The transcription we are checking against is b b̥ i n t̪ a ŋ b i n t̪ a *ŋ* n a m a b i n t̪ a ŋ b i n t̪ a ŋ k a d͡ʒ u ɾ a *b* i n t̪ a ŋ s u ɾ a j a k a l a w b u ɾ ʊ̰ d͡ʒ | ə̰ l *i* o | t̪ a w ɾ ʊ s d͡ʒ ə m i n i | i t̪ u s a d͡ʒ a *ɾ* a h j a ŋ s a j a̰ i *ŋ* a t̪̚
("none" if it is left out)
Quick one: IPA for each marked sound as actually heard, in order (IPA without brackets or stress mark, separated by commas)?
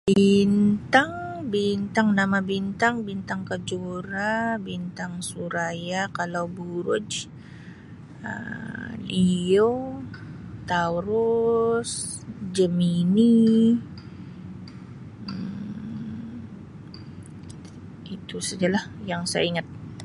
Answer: ŋ, b, i, l, ŋ